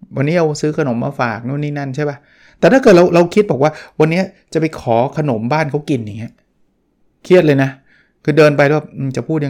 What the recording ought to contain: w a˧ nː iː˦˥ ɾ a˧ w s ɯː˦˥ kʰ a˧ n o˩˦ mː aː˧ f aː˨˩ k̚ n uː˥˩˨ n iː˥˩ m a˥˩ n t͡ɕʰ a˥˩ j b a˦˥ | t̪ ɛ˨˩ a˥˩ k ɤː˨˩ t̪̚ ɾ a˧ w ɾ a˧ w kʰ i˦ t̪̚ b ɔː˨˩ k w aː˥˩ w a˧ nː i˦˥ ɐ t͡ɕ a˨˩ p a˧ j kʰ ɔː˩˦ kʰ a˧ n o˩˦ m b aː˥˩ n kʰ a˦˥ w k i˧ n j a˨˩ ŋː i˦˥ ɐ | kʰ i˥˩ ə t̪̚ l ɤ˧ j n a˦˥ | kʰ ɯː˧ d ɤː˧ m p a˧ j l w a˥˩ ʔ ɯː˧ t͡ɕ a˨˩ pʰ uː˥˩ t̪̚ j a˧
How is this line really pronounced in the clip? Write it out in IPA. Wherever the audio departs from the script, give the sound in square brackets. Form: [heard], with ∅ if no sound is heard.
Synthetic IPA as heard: w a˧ nː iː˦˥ ɾ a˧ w s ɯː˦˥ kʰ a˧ n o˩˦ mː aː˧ f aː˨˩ k̚ n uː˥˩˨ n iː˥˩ [n] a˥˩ n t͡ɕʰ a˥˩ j b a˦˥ | t̪ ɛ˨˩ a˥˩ k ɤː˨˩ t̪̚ ɾ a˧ w ɾ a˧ w kʰ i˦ t̪̚ b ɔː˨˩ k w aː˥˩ w a˧ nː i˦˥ ɐ t͡ɕ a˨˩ p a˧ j kʰ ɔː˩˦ kʰ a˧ n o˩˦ m b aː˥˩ n kʰ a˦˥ w k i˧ n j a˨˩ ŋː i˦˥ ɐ | kʰ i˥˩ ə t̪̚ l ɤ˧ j n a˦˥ | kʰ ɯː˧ d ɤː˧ [n] p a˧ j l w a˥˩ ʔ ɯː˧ t͡ɕ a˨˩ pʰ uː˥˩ t̪̚ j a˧